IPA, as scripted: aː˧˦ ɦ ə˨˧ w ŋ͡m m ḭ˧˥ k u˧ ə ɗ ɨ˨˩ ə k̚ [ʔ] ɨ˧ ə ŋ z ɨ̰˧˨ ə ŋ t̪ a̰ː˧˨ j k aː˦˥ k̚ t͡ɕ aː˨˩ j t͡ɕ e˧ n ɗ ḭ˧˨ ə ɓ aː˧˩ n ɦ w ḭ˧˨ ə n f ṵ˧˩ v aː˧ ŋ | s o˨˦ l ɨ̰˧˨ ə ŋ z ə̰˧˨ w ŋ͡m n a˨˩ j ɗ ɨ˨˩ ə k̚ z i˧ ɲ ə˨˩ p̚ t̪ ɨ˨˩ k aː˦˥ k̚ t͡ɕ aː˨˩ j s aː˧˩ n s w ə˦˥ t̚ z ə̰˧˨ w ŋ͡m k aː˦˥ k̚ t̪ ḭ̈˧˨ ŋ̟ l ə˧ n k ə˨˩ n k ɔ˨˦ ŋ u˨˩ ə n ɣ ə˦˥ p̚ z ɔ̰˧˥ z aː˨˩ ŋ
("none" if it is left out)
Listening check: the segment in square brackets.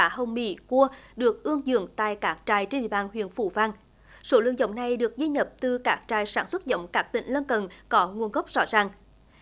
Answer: ʔ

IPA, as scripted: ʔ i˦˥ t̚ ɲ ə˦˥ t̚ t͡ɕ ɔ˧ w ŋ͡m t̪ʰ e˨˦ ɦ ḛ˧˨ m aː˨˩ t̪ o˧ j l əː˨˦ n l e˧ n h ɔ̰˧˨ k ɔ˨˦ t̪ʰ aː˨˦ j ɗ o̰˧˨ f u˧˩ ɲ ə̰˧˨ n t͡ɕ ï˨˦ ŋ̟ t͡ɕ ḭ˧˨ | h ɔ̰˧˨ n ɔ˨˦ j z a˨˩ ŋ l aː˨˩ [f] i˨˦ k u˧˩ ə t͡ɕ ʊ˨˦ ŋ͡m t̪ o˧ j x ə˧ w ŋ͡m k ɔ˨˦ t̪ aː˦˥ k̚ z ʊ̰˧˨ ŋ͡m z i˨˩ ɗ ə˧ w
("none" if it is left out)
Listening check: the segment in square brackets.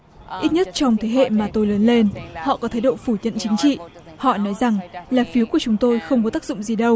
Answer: f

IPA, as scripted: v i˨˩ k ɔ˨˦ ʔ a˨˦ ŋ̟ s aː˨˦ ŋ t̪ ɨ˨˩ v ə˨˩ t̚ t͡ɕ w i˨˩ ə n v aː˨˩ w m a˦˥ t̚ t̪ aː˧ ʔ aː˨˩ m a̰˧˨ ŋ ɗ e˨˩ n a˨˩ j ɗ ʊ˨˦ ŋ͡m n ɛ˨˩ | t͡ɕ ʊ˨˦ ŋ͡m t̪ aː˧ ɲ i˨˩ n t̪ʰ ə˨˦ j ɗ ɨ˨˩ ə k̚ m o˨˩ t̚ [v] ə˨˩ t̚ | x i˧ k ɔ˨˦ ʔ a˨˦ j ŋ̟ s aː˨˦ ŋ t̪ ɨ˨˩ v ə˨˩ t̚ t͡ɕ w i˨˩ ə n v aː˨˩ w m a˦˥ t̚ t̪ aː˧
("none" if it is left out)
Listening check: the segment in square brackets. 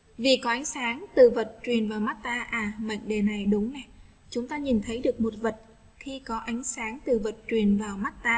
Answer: v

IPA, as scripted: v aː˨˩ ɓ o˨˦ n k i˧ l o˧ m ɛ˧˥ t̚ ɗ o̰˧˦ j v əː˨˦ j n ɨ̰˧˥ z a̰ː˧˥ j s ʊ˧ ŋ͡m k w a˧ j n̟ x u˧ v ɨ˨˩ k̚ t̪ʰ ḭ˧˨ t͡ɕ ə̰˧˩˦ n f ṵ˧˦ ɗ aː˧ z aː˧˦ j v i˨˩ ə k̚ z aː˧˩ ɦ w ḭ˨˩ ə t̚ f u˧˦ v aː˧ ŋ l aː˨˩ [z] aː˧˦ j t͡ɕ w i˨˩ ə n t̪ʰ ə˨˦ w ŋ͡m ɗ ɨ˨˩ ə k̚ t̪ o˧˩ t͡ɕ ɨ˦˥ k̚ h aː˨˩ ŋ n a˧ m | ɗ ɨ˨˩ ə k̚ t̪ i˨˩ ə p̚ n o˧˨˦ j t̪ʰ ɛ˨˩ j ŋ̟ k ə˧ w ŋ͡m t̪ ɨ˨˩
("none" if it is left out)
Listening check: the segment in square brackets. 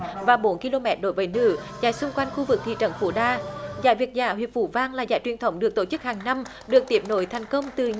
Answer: z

